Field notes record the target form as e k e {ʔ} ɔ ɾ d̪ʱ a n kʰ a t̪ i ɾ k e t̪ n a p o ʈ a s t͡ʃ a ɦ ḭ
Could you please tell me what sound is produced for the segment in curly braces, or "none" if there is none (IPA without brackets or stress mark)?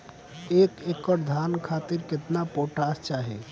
k